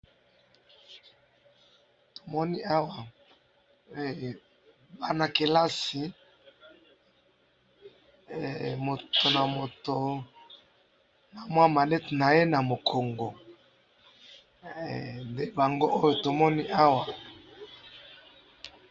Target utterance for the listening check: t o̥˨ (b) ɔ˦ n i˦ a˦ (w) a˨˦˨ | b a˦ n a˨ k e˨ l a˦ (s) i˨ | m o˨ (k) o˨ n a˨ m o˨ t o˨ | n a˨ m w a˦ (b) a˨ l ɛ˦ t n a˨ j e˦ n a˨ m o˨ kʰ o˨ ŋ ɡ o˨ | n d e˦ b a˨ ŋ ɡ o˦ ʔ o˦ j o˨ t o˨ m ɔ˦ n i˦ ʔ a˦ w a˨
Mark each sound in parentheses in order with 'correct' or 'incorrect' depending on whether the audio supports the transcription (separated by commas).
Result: incorrect, correct, correct, incorrect, incorrect